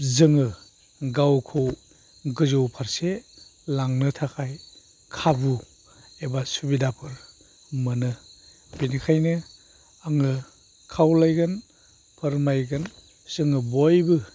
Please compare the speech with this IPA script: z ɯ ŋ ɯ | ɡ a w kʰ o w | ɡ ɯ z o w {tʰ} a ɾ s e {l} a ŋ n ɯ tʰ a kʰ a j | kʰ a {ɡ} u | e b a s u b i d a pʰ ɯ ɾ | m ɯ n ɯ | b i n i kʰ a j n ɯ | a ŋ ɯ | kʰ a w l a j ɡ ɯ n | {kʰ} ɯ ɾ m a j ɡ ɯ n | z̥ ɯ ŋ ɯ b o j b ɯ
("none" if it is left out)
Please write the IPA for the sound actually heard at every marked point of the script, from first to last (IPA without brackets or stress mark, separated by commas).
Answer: pʰ, l, b, pʰ